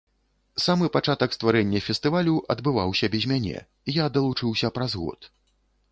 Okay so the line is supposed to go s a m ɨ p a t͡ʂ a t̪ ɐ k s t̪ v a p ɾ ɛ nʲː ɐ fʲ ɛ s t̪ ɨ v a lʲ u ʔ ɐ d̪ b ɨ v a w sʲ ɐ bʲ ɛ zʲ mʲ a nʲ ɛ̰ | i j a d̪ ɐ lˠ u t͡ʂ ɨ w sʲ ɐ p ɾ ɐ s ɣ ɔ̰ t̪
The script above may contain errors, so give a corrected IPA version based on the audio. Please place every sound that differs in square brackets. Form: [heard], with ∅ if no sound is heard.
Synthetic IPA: s a m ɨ p a t͡ʂ a t̪ ɐ k s t̪ v a [∅] ɾ ɛ nʲː ɐ fʲ ɛ s t̪ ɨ v a lʲ u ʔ ɐ d̪ b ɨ v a w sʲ ɐ bʲ ɛ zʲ mʲ a nʲ ɛ̰ | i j a d̪ ɐ lˠ u t͡ʂ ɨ w sʲ ɐ p ɾ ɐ [z] ɣ ɔ̰ t̪